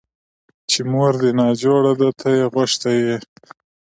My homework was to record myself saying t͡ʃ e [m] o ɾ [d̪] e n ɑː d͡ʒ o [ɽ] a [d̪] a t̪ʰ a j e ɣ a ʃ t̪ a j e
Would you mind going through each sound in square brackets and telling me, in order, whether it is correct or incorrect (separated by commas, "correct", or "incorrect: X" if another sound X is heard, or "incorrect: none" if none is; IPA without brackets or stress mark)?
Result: correct, correct, correct, correct